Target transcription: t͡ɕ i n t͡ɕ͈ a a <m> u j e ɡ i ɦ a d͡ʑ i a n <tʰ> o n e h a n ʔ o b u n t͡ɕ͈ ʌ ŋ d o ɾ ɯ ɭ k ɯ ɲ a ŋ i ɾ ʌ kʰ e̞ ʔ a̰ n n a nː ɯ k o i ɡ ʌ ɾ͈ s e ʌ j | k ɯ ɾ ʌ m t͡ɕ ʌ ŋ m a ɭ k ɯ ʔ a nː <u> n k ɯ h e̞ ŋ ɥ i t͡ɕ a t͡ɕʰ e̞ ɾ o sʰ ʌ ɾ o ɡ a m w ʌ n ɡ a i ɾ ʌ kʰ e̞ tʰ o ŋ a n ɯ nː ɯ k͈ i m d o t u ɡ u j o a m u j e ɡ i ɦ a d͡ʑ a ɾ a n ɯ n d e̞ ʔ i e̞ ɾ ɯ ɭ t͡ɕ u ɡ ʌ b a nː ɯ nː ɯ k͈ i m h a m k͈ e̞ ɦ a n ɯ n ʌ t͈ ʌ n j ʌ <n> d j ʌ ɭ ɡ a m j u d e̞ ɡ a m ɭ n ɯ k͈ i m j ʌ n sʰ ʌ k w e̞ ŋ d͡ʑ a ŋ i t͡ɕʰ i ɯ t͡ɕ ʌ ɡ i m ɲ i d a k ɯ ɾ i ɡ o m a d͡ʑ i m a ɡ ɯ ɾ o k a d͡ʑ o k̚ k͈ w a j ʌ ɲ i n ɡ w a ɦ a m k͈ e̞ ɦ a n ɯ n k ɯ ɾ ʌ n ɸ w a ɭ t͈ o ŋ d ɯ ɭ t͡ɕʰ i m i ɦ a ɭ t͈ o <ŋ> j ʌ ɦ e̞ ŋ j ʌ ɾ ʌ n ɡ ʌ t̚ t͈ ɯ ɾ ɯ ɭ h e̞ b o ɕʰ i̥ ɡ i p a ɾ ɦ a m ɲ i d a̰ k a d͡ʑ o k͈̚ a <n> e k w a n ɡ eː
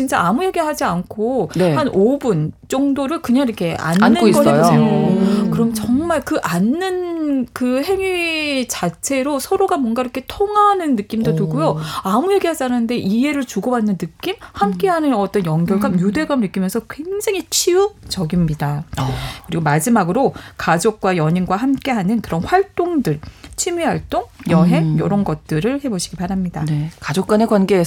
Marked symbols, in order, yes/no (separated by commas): yes, no, no, no, yes, yes